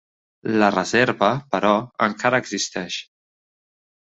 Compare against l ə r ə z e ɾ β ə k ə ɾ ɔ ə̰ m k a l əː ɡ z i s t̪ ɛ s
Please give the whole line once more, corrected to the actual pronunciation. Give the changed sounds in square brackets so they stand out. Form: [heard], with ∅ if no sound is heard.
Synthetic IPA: l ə r ə z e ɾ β ə [p] ə ɾ ɔ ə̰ [ŋ] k a [ɾ] əː ɡ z i s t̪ ɛ [ʃ]